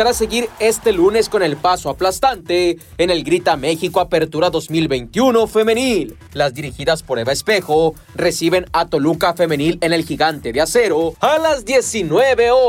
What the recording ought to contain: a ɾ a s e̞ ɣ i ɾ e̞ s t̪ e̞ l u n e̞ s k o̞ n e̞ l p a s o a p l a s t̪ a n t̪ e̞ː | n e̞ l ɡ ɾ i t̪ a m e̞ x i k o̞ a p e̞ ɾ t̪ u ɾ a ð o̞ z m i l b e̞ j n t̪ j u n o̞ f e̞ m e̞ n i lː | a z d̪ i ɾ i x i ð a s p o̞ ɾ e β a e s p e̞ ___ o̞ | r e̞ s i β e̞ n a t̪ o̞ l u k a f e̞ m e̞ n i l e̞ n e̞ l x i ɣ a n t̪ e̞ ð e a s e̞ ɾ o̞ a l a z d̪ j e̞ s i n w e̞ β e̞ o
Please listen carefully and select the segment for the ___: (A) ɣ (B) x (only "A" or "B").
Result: B